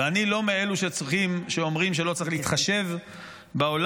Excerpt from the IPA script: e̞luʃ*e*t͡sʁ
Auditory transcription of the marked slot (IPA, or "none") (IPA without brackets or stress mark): e